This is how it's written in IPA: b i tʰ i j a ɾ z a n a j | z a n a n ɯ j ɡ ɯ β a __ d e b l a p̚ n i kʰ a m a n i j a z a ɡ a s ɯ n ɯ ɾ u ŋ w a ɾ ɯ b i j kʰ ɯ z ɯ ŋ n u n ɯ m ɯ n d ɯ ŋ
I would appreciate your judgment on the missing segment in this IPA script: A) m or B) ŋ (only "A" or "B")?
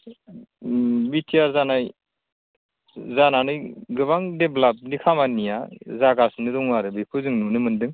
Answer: B